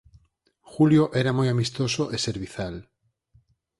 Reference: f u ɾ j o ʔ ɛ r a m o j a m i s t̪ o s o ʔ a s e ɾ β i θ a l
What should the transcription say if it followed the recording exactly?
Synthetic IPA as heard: x u l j o ʔ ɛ ɾ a m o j a m i s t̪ o s o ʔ e s e ɾ β i θ a l